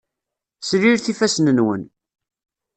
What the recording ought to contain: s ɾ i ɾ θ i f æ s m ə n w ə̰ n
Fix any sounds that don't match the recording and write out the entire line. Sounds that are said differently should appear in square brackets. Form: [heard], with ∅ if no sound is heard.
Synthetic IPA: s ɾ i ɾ θ i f æ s [n] ə n w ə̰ n